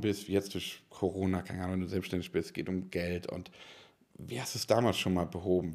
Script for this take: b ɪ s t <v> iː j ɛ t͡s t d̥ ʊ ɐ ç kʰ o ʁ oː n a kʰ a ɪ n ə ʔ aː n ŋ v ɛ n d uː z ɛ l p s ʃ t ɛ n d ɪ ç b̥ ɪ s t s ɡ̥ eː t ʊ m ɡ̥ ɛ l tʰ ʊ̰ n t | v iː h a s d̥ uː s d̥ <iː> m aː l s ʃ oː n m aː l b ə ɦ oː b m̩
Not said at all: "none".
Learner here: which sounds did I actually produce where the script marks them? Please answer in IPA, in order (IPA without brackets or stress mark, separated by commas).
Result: v, aː